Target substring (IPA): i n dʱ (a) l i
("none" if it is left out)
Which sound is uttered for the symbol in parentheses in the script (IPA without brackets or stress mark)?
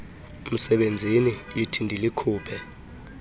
i